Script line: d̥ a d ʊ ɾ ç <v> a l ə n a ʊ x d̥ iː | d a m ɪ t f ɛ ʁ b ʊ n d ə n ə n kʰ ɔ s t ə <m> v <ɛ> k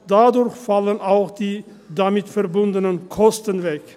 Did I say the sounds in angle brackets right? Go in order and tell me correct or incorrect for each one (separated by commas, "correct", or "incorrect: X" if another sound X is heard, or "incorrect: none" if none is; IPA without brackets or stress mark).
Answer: incorrect: f, incorrect: n, correct